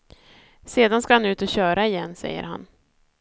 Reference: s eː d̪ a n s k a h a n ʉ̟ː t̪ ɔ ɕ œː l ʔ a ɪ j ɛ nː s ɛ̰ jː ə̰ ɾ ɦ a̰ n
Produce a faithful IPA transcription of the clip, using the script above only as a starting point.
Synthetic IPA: s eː d̪ a n s k a h a n ʉ̟ː t̪ ɔ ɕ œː ɾ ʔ a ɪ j ɛ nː s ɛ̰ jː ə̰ ɾ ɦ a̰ n